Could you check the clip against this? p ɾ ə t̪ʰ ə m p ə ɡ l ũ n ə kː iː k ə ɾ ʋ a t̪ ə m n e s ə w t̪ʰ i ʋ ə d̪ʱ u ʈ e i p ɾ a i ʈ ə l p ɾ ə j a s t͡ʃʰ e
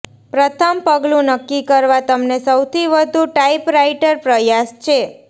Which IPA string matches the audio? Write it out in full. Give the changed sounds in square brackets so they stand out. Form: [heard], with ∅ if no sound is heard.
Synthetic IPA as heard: p ɾ ə t̪ʰ ə m p ə ɡ l ũ n ə kː [i] k ə ɾ ʋ a t̪ ə m n e s ə w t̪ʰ i ʋ ə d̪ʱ u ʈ [a] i p ɾ a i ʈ ə [ɾ] p ɾ ə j a s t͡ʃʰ e